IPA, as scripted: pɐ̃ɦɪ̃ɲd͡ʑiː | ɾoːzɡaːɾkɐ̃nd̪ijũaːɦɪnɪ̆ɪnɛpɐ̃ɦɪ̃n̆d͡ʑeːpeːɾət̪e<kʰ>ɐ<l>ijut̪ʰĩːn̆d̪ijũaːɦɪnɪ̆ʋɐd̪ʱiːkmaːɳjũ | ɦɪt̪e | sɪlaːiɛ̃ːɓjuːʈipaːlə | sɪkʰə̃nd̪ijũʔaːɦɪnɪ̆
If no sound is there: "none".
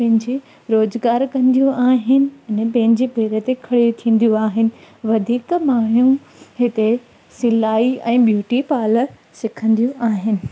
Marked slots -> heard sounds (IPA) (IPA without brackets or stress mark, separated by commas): kʰ, ɽ